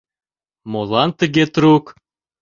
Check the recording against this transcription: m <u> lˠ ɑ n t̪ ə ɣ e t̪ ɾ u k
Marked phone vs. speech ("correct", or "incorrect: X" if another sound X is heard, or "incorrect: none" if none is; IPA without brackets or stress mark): incorrect: o